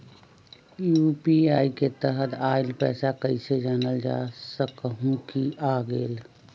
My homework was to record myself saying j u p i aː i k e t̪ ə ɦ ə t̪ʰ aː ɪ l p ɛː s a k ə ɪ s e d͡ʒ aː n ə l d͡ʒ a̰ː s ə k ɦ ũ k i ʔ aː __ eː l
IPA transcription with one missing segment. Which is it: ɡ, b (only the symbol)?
ɡ